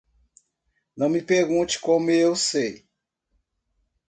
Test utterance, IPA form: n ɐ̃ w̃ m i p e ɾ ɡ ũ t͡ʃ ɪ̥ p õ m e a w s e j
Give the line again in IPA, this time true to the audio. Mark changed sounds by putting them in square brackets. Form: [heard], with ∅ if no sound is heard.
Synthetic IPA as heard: n ɐ̃ w̃ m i p e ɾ ɡ ũ t͡ʃ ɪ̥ [k] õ m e [e] w s e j